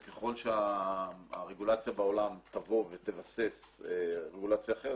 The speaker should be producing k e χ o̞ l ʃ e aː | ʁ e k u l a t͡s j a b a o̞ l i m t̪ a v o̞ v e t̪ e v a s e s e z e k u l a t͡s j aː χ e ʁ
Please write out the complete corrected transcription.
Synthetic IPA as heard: k e χ o̞ l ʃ e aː | ʁ e ɡ u l a t͡s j a b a o̞ l a m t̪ a v o̞ v e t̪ e v a s e s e ʁ e ɡ u l a t͡s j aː χ e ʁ